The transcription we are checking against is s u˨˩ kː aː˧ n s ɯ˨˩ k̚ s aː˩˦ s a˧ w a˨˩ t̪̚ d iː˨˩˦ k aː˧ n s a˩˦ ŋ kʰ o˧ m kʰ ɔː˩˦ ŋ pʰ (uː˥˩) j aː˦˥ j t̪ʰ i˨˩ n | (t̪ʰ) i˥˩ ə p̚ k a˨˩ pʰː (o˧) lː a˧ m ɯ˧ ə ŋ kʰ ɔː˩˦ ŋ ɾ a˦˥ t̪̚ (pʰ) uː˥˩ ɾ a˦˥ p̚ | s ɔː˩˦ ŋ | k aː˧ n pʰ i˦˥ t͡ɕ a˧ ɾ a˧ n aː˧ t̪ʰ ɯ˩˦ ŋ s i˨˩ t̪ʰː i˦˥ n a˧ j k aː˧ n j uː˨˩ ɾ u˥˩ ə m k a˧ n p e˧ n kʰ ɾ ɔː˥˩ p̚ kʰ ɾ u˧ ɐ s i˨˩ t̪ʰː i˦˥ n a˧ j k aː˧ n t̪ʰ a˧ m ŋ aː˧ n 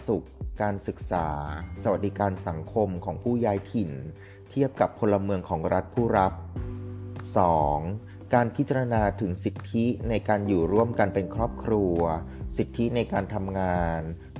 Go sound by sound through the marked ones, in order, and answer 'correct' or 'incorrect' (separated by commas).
correct, correct, correct, correct